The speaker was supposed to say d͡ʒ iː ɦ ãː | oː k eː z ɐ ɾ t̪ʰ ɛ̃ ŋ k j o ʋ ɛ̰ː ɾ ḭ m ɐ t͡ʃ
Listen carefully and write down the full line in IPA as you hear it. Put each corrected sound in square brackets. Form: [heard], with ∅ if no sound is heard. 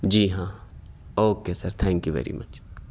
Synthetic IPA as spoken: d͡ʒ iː ɦ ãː | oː k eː [s] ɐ ɾ t̪ʰ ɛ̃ ŋ k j [u] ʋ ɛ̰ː ɾ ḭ m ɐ t͡ʃ